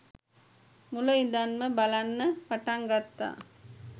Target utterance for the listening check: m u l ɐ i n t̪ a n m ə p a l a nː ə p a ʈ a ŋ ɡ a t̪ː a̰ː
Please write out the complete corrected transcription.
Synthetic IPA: m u l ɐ i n d̪ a n m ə b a l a nː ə p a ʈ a ŋ ɡ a t̪ː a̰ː